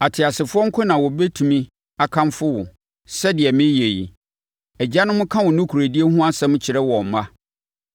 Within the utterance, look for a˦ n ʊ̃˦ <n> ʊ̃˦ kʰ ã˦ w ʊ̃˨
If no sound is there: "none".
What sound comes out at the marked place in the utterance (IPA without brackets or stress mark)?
m